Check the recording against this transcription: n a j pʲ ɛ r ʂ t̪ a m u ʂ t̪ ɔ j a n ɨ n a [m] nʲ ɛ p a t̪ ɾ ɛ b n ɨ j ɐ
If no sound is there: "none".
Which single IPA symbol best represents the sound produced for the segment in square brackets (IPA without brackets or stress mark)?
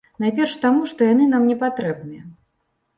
m